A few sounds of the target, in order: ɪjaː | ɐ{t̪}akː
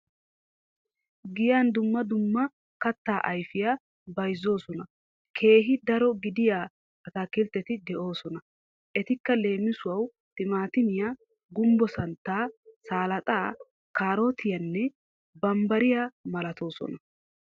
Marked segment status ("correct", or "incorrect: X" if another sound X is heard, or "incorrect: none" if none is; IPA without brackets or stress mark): correct